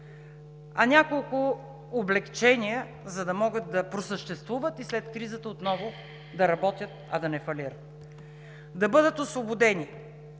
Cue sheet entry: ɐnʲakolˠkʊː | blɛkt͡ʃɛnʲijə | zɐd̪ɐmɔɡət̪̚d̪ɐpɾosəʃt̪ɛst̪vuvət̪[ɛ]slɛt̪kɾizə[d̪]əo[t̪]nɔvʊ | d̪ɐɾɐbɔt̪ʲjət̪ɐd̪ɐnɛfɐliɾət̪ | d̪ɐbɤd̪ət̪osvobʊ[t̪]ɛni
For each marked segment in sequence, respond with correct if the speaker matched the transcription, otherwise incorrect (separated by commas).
incorrect, incorrect, correct, incorrect